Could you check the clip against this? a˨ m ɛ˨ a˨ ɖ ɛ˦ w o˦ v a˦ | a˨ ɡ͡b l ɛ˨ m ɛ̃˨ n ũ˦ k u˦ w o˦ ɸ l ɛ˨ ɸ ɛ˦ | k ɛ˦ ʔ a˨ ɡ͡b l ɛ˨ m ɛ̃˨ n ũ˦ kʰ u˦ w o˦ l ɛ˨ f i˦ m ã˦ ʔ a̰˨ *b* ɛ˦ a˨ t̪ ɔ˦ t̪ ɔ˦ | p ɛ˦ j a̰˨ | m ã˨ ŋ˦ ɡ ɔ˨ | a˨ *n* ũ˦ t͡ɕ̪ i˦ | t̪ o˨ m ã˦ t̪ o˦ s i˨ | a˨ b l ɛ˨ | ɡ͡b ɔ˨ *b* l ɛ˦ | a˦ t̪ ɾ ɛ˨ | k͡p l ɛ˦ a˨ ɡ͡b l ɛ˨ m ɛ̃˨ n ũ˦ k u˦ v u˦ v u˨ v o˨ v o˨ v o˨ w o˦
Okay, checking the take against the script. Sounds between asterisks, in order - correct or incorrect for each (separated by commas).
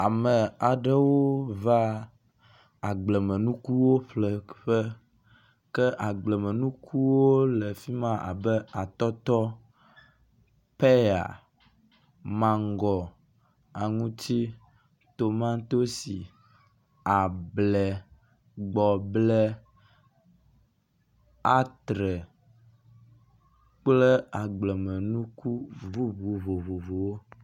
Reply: correct, incorrect, correct